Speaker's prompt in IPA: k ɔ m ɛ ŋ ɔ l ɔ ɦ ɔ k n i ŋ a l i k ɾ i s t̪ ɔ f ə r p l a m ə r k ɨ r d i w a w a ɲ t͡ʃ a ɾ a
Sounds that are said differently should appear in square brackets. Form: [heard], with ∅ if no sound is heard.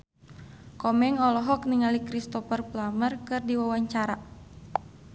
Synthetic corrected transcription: k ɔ m ɛ ŋ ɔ l ɔ ɦ ɔ k n i ŋ a l i k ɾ i s t̪ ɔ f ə r p l a m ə r k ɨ r d i w a w a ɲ t͡ʃ a ɾ a